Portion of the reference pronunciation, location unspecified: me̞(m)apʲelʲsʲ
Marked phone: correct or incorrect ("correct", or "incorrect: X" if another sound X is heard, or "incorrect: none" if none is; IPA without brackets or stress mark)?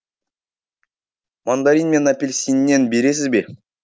incorrect: n